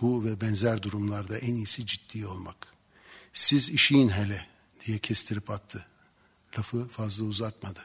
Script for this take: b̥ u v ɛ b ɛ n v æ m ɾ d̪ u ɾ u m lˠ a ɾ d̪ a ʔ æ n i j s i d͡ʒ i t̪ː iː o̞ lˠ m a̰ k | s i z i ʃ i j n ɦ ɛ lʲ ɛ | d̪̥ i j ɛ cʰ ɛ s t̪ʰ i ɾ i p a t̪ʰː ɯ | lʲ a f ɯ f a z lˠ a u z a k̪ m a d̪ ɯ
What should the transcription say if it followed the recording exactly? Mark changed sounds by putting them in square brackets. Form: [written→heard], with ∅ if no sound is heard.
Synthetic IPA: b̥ u v ɛ b ɛ n [v→z] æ [m→∅] ɾ d̪ u ɾ u m lˠ a ɾ d̪ a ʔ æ n i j s i d͡ʒ i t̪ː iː o̞ lˠ m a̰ k | s i z i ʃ i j n ɦ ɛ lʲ ɛ | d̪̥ i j ɛ cʰ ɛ s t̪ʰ i ɾ i p a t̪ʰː ɯ | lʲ a f ɯ f a z lˠ a u z a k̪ m a d̪ ɯ